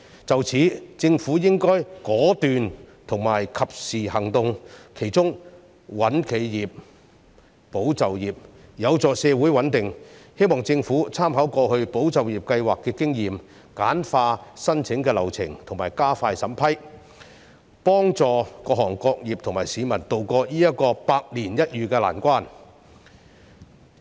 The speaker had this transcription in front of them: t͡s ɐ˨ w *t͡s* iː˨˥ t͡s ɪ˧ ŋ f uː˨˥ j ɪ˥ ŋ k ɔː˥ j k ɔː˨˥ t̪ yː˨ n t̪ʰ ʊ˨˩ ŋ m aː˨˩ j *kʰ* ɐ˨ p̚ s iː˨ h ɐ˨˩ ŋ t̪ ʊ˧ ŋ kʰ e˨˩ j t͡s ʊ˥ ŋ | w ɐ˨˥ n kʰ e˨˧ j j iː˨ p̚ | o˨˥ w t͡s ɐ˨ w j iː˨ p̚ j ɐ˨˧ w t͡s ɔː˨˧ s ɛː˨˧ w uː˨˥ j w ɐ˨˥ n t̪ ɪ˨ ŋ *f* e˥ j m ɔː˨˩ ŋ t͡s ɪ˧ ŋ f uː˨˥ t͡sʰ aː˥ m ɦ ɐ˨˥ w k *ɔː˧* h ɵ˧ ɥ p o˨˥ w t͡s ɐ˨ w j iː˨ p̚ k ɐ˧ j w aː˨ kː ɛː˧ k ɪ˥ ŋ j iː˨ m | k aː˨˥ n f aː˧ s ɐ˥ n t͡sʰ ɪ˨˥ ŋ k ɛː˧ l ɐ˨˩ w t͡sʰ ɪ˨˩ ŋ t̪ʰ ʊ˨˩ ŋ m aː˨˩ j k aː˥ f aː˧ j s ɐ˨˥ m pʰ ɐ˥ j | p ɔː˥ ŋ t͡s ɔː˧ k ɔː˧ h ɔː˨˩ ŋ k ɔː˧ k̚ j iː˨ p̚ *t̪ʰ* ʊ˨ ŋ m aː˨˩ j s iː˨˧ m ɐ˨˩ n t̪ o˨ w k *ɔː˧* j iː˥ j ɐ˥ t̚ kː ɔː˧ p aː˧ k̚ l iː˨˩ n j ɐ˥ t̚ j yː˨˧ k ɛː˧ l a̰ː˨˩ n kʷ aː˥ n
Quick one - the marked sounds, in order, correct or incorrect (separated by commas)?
incorrect, correct, incorrect, correct, correct, correct